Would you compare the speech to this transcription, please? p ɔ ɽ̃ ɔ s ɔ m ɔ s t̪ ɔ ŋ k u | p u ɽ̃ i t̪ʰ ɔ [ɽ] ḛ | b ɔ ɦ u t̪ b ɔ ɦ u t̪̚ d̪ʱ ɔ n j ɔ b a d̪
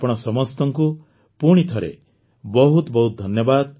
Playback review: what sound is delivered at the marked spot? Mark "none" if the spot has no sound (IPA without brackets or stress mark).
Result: ɾ